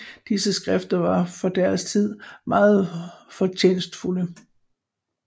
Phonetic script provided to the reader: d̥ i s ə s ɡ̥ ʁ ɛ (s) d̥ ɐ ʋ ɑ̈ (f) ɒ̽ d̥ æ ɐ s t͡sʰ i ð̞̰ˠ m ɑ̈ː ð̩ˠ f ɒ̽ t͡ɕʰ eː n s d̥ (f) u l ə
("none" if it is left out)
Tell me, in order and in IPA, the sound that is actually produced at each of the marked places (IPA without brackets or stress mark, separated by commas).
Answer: f, f, f